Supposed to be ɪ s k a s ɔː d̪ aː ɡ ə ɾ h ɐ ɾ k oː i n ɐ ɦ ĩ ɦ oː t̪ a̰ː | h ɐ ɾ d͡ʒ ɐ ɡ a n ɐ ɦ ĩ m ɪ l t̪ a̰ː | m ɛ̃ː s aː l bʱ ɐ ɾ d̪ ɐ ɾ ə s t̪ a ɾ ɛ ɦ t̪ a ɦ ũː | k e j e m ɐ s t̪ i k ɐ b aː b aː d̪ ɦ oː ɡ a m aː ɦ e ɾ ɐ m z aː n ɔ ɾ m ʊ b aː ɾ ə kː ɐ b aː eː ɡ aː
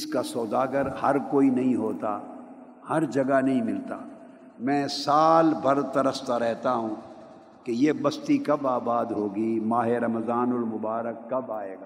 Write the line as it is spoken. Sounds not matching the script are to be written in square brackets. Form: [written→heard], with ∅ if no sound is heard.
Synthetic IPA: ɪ s k a s ɔː d̪ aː ɡ ə ɾ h ɐ ɾ k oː i n ɐ ɦ ĩ ɦ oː t̪ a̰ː | h ɐ ɾ d͡ʒ ɐ ɡ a n ɐ ɦ ĩ m ɪ l t̪ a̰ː | m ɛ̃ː s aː l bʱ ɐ ɾ [d̪→t̪] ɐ ɾ ə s t̪ a ɾ ɛ ɦ t̪ a ɦ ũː | k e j e [m→b] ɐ s t̪ i k ɐ b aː b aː d̪ ɦ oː ɡ [a→i] m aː ɦ e ɾ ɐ m z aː n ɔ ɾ m ʊ b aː ɾ ə kː ɐ b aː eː ɡ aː